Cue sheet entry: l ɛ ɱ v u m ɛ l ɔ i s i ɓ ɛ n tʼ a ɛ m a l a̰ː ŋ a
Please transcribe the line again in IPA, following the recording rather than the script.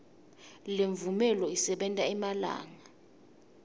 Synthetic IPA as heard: l e ɱ v u m ɛ l ɔ i s ɛ ɓ ɛ n tʼ a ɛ m a l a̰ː ŋ a